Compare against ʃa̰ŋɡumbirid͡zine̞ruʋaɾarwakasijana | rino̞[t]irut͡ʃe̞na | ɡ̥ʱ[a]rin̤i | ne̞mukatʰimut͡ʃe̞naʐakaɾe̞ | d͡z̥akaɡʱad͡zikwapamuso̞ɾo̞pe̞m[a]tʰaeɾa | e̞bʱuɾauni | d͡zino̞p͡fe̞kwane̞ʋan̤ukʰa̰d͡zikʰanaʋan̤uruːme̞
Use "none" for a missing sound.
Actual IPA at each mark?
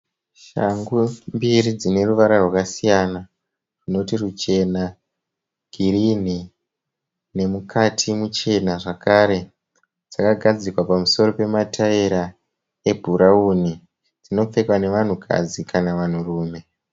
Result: t, i, a

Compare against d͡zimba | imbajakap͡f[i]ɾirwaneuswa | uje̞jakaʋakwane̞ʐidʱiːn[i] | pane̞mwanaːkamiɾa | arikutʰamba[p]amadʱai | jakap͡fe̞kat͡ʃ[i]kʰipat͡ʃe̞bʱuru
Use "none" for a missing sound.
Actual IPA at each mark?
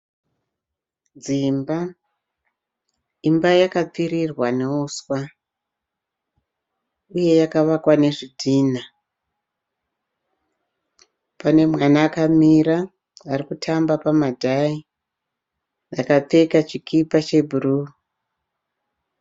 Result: i, a, p, i

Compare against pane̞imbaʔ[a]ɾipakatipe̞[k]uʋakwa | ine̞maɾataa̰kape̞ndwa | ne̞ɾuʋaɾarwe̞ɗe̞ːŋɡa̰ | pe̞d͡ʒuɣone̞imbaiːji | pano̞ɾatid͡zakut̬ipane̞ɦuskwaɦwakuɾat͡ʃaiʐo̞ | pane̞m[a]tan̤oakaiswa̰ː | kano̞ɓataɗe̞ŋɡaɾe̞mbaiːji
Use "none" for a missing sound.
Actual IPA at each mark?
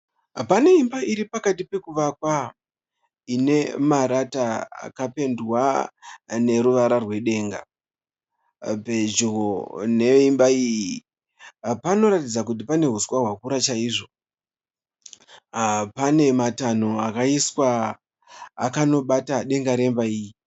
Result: i, k, a

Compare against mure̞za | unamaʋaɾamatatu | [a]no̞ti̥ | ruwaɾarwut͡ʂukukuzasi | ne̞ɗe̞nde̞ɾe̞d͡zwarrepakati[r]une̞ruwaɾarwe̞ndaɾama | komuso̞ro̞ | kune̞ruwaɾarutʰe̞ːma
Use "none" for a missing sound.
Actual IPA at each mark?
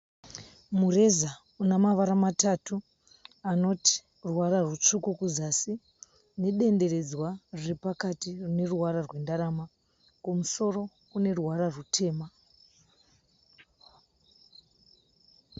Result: a, r

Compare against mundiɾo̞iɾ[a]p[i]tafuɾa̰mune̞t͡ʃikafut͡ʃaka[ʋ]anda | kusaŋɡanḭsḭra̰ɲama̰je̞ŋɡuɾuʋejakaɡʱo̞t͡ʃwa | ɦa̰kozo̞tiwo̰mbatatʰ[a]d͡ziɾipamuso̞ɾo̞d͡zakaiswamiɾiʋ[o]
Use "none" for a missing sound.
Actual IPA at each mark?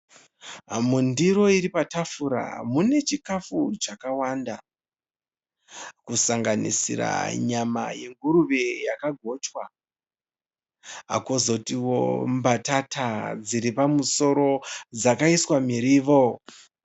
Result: i, a, w, a, o

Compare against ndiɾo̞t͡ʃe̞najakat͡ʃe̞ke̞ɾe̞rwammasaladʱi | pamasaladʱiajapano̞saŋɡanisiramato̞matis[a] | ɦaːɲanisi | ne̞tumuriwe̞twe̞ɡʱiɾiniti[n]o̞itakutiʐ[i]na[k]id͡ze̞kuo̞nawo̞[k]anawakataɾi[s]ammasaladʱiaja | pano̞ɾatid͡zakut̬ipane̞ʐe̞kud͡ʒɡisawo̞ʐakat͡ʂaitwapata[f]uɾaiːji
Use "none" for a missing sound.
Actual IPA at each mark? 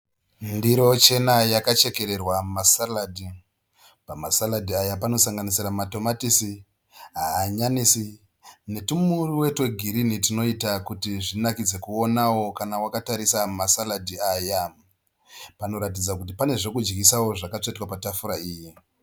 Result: i, n, i, k, k, s, f

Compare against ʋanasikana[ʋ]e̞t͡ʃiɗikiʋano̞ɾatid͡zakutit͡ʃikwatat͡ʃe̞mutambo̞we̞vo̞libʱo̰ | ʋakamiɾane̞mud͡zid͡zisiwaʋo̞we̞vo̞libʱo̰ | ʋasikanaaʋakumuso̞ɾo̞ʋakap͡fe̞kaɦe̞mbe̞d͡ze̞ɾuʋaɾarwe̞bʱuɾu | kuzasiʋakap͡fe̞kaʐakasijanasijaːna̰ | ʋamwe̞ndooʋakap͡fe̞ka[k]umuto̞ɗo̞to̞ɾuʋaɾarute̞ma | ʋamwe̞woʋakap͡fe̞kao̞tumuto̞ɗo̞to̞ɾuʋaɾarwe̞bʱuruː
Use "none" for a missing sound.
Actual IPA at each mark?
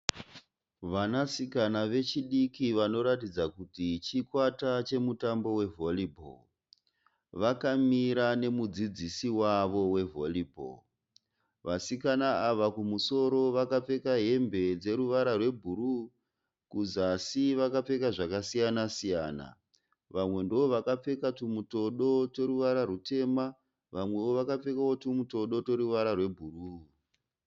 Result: ʋ, t

